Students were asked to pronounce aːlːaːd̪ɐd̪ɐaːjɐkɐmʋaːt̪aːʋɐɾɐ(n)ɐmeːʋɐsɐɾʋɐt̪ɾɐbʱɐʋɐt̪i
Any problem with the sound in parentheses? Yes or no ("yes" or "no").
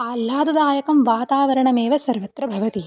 yes